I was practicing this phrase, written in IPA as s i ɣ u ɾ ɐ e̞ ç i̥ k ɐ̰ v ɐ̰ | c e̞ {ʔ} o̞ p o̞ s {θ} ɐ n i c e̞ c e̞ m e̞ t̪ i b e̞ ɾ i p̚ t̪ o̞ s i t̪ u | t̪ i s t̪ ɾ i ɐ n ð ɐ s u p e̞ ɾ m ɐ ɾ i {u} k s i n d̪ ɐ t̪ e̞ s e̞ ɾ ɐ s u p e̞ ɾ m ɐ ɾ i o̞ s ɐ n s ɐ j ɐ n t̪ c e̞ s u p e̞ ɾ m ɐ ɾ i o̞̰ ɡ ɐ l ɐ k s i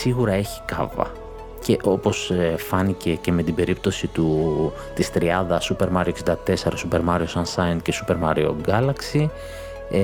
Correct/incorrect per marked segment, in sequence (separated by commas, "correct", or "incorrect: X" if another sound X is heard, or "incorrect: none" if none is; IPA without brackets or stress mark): correct, incorrect: f, incorrect: o